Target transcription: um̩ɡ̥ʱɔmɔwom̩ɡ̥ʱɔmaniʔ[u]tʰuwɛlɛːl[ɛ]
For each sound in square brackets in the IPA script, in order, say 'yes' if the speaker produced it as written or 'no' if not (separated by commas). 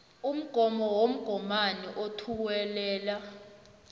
no, no